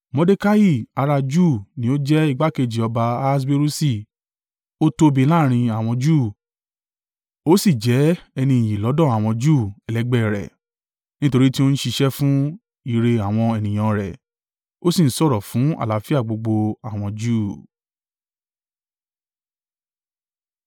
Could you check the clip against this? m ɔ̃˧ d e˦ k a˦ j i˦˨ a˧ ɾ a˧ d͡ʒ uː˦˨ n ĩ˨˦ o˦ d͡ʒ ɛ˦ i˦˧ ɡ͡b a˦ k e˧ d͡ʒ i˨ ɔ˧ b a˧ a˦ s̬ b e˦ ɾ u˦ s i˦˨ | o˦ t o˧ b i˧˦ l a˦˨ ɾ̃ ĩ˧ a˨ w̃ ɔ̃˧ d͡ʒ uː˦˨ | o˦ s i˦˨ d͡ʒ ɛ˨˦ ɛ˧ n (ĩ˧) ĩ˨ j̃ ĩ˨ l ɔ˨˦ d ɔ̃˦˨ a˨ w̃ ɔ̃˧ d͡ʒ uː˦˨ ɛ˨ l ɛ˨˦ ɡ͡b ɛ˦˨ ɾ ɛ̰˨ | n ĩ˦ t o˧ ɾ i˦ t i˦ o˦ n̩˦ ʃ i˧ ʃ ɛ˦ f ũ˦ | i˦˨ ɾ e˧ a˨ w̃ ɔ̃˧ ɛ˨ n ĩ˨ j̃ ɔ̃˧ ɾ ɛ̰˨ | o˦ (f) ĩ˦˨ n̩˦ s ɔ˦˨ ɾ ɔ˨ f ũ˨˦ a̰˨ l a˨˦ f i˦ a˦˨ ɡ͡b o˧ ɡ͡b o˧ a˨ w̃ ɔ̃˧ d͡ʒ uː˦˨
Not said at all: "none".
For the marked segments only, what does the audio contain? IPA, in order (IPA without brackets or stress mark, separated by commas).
ĩ˧, s